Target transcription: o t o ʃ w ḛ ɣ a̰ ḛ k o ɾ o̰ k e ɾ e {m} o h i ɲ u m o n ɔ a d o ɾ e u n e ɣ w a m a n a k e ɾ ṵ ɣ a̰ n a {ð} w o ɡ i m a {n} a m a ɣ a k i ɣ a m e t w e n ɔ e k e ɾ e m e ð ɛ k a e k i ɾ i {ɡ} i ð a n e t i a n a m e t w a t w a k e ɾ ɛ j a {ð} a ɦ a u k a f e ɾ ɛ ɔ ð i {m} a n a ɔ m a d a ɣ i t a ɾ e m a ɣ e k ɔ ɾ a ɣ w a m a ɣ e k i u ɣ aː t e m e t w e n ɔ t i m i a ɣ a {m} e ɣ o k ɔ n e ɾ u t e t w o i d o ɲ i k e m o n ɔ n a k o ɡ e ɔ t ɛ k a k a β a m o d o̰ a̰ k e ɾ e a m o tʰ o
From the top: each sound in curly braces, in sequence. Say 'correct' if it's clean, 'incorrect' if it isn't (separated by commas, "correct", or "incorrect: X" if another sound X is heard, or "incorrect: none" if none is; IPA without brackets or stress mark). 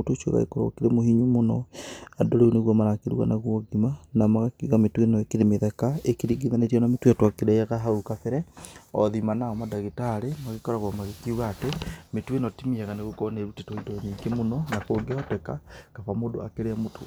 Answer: correct, incorrect: ɣ, correct, correct, incorrect: ɣ, correct, incorrect: n